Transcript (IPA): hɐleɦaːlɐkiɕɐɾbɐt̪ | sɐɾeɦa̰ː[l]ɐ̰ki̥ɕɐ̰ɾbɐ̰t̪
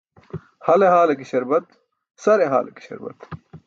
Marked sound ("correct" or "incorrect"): correct